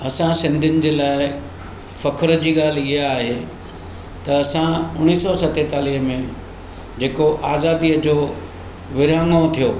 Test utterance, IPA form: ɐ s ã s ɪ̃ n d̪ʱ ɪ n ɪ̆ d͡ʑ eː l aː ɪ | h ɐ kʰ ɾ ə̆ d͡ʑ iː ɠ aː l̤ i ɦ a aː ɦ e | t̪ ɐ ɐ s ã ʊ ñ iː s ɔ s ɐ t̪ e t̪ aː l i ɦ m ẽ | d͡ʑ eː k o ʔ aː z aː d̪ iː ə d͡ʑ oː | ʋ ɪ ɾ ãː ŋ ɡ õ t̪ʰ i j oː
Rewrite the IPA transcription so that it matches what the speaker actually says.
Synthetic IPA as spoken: ɐ s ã s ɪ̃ n d̪ʱ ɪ n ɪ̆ d͡ʑ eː l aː ɪ | f ɐ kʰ ɾ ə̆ d͡ʑ iː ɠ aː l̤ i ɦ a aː ɦ e | t̪ ɐ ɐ s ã ʊ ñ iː s ɔ s ɐ t̪ e t̪ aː l i ɦ m ẽ | d͡ʑ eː k o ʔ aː z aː d̪ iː ə d͡ʑ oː | ʋ ɪ ɾ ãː ŋ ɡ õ t̪ʰ i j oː